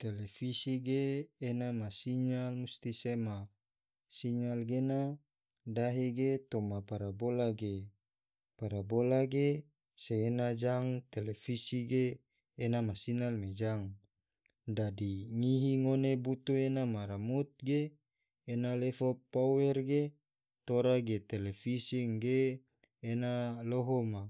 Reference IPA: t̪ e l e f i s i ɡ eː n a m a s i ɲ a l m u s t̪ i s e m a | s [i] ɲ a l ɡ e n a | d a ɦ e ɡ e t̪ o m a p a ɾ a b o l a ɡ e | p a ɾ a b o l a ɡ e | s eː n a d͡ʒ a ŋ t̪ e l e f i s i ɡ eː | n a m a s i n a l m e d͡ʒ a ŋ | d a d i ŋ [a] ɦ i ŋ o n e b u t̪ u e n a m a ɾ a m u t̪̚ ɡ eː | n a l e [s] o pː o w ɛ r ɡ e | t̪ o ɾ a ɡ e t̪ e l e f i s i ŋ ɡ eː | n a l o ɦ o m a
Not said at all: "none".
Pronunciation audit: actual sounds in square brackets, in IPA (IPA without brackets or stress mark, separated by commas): i, i, f